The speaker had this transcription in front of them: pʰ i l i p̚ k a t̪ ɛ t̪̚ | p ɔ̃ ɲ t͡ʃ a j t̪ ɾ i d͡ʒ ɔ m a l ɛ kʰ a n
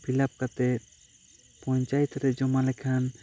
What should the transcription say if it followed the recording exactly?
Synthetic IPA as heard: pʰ i l a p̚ k a t̪ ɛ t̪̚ | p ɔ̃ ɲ t͡ʃ a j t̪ ɾ ɛ d͡ʒ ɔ m a l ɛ kʰ a n